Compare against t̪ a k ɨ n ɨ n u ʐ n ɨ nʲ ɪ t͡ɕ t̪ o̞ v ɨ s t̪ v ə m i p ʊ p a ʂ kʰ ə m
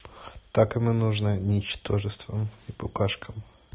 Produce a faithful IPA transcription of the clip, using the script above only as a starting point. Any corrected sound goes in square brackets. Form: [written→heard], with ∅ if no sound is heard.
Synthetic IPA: t̪ a k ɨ [n→m] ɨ n u ʐ n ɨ nʲ ɪ t͡ɕ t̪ o̞ [v→ʐ] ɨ s t̪ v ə m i p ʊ [p→k] a ʂ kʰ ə m